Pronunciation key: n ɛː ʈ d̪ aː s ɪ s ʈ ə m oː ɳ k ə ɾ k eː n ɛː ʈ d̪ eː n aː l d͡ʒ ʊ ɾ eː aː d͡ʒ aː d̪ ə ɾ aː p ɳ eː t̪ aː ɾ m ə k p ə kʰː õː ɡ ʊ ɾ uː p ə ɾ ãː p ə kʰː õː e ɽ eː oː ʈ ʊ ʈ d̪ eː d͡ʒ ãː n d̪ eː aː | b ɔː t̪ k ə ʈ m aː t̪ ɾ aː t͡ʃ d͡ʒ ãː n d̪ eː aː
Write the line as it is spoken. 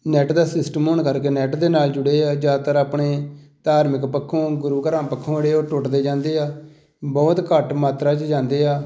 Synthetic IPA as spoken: n ɛː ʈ d̪ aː s ɪ s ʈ ə m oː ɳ k ə ɾ k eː n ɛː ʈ d̪ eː n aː l d͡ʒ ʊ ɽ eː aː d͡ʒ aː t̪ ə ɾ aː p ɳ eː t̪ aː ɾ m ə k p ə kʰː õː ɡ ʊ ɾ uː k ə ɾ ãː p ə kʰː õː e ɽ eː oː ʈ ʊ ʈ d̪ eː d͡ʒ ãː n d̪ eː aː | b ɔː t̪ k ə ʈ m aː t̪ ɾ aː t͡ʃ d͡ʒ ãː n d̪ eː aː